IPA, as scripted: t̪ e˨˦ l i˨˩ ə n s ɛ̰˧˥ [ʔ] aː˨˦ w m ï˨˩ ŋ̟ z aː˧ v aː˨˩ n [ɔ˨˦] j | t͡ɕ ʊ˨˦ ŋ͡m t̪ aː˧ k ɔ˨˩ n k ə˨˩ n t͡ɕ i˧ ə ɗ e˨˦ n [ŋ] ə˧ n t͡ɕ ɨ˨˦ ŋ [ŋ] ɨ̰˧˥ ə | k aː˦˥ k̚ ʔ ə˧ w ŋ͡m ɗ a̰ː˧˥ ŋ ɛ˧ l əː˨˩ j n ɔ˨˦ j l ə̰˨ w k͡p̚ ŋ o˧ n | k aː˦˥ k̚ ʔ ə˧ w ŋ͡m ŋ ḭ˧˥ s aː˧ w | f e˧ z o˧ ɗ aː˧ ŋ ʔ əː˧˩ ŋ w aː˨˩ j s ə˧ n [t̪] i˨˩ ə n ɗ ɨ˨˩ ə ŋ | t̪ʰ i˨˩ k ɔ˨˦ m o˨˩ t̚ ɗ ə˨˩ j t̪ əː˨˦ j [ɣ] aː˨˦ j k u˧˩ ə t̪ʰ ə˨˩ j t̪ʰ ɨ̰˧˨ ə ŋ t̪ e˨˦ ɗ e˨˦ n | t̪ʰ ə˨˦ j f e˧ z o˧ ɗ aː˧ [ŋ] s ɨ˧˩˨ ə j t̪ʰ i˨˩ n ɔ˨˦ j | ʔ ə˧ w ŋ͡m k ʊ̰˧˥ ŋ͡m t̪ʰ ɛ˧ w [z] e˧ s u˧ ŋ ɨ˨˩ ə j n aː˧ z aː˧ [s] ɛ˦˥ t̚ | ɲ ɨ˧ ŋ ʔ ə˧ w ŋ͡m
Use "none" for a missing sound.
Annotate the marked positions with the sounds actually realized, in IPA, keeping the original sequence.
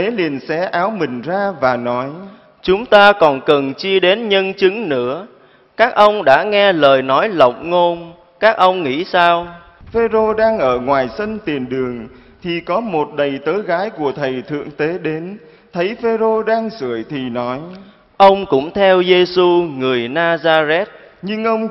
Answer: ʔ, ɔ˨˦, ɲ, n, t̪, ɣ, ŋ, z, z

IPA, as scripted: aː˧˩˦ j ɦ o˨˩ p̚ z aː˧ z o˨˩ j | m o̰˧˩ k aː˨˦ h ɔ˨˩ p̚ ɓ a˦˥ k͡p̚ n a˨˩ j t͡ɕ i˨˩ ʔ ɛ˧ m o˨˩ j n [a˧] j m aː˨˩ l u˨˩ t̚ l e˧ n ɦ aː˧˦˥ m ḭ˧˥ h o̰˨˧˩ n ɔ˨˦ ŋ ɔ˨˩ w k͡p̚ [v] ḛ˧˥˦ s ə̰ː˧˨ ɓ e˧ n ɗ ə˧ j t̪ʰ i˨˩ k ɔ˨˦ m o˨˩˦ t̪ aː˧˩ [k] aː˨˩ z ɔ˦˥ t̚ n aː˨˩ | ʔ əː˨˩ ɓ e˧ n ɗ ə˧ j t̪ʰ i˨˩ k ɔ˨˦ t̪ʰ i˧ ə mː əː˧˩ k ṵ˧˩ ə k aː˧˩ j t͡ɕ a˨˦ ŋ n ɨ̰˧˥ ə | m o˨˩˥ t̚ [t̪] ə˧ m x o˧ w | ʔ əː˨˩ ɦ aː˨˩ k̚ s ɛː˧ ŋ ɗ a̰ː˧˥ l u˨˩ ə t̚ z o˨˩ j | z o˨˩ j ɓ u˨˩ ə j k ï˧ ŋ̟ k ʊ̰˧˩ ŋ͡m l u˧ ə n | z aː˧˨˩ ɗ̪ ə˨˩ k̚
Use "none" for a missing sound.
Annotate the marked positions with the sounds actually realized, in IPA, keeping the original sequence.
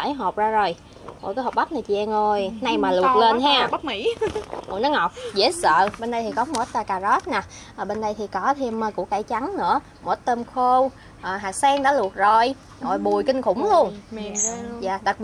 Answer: a˧, z, k, t̪

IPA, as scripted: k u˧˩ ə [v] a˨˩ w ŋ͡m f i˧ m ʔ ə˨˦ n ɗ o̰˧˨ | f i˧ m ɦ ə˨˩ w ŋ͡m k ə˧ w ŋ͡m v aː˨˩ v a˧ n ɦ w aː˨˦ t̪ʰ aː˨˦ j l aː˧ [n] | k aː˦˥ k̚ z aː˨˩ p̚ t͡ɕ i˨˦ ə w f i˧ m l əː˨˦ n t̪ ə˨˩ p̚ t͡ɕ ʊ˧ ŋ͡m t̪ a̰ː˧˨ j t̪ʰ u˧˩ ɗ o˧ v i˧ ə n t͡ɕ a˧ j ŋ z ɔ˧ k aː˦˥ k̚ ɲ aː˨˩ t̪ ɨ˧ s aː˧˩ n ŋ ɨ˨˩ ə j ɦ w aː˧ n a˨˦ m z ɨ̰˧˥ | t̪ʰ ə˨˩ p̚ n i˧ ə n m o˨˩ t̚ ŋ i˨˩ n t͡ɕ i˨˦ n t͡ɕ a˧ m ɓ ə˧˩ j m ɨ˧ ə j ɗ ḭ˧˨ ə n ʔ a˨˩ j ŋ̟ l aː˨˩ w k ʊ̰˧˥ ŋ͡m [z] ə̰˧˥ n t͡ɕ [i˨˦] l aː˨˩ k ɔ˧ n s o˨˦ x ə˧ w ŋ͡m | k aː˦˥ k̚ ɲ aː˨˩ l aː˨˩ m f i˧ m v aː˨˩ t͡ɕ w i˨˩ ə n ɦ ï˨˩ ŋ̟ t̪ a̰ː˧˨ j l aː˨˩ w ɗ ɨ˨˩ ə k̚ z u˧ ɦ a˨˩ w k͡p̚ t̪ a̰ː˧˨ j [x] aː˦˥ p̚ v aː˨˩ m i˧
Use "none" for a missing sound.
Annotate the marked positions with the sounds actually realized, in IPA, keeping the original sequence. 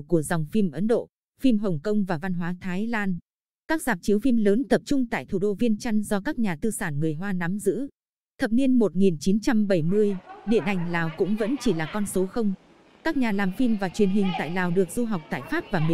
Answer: z, n, v, i˧˩, f

